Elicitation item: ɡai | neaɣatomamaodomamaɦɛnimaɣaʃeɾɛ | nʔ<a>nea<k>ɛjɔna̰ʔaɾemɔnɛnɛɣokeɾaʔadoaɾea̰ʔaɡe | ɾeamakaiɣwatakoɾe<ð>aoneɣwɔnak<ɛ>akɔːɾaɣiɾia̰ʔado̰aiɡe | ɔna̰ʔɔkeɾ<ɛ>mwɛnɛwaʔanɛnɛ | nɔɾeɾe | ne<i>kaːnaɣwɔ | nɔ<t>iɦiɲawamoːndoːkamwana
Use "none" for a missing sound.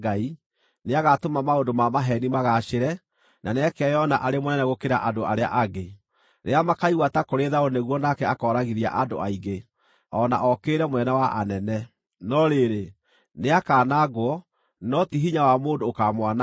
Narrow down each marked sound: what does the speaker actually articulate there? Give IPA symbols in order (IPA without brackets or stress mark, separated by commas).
a, k, ð, ɛ, ɛ, a, t